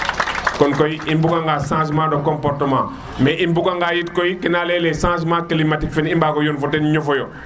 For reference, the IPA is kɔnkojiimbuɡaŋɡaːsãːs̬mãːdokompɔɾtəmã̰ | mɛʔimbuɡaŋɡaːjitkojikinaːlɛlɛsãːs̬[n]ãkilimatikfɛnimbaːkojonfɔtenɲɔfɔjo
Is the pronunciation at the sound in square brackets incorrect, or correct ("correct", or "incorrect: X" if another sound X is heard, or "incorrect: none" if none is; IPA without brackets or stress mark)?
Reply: incorrect: m